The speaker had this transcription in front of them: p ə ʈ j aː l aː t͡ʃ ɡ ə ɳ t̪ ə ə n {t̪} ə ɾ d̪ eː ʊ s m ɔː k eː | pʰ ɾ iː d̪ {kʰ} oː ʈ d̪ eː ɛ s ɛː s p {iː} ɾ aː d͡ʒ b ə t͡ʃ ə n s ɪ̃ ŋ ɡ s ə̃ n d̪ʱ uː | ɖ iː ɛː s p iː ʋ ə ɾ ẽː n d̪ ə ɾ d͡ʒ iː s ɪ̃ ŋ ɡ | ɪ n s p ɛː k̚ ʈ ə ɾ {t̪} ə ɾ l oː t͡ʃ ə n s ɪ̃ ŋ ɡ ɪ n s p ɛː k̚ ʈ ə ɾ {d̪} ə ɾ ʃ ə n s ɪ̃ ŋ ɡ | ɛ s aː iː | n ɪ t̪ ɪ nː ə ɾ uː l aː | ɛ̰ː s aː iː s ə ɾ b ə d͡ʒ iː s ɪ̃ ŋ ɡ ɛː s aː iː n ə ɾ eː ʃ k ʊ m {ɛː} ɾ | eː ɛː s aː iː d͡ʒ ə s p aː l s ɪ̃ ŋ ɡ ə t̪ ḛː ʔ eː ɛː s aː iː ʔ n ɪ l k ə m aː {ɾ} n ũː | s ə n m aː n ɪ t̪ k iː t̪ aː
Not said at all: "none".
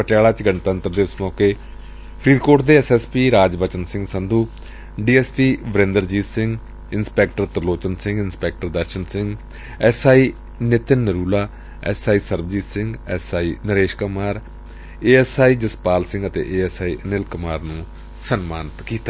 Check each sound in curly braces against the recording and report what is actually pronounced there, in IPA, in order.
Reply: t̪, k, iː, t̪, d̪, aː, ɾ

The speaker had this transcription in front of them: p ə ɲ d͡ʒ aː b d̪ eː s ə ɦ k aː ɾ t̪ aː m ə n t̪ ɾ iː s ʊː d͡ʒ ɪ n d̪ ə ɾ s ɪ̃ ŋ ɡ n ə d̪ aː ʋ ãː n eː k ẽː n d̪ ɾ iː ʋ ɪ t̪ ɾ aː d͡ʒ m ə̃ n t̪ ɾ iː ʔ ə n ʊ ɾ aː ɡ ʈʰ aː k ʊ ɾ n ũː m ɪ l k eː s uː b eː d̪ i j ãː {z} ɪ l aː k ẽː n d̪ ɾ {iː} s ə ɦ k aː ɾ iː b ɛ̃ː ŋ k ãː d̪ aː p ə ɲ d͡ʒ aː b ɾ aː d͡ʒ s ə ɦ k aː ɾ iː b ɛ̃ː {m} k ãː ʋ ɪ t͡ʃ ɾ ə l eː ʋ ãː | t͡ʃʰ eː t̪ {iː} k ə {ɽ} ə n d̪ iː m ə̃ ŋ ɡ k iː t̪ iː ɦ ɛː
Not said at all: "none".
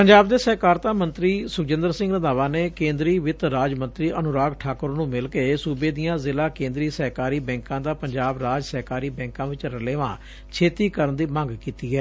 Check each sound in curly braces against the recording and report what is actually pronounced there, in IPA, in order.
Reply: z, iː, ŋ, iː, ɾ

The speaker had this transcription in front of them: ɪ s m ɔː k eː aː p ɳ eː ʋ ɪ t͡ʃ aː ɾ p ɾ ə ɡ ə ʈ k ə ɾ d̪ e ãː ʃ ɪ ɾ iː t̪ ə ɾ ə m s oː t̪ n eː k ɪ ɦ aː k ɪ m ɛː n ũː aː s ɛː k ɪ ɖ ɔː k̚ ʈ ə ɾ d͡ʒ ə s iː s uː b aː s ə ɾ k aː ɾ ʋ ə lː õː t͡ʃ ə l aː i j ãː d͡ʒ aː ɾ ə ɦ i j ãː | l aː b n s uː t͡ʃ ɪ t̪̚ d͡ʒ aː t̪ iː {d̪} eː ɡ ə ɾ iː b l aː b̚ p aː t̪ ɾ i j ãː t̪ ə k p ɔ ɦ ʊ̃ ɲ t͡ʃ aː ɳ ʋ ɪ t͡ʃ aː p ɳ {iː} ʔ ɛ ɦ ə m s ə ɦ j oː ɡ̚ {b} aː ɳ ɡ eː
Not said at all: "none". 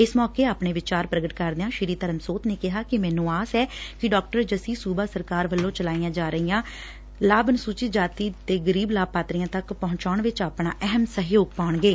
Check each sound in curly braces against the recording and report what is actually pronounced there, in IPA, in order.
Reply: t̪, aː, p

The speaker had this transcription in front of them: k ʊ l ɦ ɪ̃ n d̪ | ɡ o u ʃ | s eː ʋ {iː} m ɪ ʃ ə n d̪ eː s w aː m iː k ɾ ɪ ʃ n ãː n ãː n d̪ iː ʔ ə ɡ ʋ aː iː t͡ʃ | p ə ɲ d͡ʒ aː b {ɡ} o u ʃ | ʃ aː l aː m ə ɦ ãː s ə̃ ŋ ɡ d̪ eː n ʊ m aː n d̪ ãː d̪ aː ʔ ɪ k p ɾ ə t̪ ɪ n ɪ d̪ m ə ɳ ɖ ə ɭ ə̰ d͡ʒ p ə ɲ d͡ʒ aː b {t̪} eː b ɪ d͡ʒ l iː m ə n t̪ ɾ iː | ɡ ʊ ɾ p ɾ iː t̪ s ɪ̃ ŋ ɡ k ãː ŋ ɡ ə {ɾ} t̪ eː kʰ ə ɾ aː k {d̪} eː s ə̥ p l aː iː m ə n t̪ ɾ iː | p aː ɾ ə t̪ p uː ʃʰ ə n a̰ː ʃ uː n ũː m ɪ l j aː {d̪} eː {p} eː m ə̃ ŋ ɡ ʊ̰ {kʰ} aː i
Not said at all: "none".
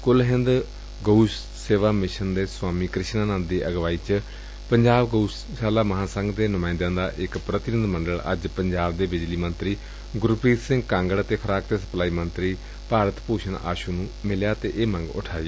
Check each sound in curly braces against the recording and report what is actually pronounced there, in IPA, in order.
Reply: aː, ɡ, d̪, ɽ, t̪, t̪, ʔ, ʈʰ

